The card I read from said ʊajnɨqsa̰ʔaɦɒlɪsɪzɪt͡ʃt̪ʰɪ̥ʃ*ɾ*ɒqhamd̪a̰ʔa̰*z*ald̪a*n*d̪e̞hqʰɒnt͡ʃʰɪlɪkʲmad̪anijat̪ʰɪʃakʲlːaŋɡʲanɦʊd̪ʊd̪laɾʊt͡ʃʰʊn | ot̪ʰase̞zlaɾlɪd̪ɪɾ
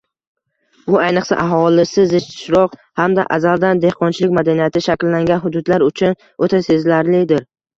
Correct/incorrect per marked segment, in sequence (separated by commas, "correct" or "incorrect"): correct, correct, correct